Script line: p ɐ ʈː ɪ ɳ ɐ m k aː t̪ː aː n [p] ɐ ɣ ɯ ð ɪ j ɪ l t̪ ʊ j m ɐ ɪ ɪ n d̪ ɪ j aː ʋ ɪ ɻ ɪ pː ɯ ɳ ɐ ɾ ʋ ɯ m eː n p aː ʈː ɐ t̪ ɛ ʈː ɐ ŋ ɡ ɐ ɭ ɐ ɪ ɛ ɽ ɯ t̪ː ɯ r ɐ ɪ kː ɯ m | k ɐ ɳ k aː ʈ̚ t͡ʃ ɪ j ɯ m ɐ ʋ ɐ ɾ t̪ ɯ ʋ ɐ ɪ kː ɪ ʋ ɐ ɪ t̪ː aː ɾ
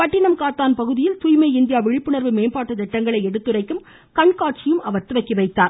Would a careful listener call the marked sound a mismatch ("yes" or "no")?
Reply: no